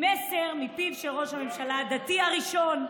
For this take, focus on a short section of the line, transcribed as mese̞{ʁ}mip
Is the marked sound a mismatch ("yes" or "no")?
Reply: no